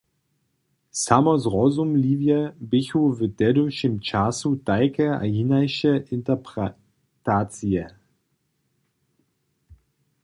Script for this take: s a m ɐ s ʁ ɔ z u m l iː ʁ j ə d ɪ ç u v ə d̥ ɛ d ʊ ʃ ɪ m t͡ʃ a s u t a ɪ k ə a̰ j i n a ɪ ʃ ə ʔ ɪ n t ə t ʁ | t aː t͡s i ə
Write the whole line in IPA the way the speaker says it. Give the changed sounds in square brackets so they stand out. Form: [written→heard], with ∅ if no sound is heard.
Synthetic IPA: s a m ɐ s ʁ ɔ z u m l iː [ʁ→v] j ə [d→b] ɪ ç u v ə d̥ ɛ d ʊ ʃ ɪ m t͡ʃ a s u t a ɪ k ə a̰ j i n a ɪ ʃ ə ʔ ɪ n t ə [t→p] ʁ | t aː t͡s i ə